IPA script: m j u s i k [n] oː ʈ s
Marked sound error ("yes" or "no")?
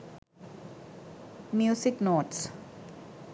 no